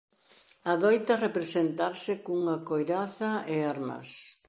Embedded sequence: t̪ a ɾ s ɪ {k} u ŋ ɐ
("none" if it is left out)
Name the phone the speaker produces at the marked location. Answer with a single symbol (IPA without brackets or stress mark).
k